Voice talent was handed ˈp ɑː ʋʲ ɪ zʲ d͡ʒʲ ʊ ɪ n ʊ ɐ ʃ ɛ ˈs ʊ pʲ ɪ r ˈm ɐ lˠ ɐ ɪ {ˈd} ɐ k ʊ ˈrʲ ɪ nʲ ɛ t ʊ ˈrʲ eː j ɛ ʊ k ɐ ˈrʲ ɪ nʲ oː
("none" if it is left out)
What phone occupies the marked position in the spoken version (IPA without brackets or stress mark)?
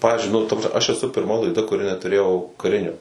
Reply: d